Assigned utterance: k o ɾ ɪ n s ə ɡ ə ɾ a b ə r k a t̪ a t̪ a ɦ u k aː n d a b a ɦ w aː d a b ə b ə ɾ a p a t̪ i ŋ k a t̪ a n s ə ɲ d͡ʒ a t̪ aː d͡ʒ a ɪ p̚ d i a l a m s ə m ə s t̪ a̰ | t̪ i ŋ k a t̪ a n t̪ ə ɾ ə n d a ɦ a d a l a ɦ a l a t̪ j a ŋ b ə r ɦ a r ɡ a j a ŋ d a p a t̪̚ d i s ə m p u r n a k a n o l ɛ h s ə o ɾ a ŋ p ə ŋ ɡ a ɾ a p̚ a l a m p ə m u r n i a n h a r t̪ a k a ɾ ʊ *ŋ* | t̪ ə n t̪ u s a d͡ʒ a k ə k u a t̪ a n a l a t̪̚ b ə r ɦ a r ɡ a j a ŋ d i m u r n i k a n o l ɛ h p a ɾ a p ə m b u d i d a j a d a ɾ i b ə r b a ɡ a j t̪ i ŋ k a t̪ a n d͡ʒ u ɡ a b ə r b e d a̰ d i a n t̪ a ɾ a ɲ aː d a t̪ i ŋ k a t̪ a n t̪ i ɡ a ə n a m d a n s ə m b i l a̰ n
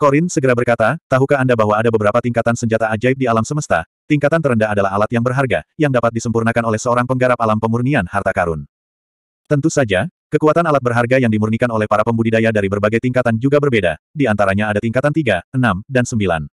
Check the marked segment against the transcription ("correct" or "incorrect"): incorrect